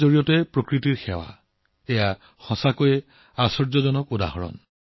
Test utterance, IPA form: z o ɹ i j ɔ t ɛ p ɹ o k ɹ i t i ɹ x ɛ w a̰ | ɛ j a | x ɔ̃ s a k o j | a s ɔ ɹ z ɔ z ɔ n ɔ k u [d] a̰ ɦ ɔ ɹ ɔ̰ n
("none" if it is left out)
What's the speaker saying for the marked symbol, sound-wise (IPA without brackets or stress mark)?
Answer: d